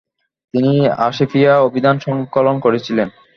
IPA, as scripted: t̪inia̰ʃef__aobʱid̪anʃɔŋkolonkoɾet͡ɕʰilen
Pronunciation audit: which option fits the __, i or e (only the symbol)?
i